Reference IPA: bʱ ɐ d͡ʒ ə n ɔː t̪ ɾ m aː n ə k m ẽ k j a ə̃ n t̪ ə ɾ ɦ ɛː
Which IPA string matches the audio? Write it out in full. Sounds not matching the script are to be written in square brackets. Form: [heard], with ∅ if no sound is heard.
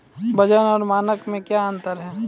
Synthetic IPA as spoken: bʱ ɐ d͡ʒ ə n ɔː [∅] ɾ m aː n ə k m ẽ k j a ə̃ n t̪ ə ɾ ɦ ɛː